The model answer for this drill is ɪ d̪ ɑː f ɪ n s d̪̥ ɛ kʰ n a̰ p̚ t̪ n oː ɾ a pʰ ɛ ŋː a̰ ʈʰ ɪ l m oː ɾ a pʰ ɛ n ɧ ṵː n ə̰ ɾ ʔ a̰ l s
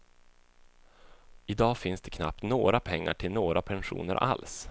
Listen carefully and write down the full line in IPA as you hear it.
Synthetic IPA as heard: ɪ d̪ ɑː f ɪ n s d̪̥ ɛ kʰ n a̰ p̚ t̪ n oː ɾ a pʰ ɛ ŋː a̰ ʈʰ ɪ l n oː ɾ a pʰ ɛ n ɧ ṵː n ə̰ ɾ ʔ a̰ l s